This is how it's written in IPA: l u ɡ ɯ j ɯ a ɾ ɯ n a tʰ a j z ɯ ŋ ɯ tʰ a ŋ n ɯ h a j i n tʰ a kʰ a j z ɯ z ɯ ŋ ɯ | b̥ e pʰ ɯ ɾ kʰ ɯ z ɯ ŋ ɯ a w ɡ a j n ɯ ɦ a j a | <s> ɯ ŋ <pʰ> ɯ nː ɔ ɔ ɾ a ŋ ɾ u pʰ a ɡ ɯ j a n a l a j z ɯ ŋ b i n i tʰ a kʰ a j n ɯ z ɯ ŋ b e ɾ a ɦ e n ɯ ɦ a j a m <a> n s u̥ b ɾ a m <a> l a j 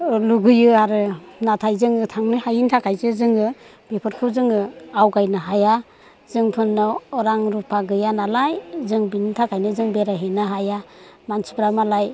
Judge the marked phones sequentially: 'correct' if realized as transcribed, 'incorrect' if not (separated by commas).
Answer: incorrect, correct, correct, correct